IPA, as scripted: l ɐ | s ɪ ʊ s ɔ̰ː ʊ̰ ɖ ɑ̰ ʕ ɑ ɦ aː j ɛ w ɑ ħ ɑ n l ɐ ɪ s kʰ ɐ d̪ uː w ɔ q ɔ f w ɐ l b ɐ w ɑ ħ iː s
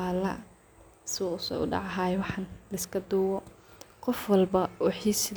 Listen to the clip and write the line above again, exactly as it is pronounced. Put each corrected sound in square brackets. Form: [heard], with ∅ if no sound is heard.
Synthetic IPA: l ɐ | s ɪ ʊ s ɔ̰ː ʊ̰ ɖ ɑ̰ ʕ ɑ ɦ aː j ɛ w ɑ ħ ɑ n l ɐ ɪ s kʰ ɐ d̪ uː w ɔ q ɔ f w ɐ l b ɐ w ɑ ħ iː s